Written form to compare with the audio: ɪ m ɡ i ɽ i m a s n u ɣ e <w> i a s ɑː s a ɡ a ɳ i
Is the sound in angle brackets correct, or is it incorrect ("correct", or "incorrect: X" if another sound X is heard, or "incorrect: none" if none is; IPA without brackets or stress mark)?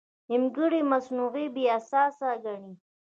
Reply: incorrect: b